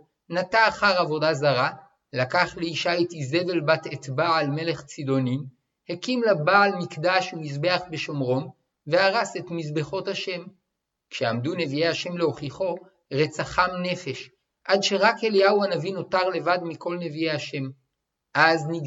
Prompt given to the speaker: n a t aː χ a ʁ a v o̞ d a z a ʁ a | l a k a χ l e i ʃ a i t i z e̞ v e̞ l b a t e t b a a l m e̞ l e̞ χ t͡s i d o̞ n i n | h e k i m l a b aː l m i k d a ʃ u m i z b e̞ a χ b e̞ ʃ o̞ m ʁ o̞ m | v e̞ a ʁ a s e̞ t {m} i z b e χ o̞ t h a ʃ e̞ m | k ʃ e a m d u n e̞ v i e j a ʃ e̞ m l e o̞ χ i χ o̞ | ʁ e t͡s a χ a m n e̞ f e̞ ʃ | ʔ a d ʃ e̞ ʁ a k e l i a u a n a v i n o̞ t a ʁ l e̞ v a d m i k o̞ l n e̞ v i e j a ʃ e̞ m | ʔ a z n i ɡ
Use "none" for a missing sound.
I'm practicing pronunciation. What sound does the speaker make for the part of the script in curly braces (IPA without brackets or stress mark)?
m